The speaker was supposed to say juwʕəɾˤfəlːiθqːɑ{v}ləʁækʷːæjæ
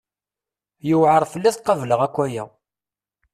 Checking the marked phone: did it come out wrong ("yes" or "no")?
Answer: no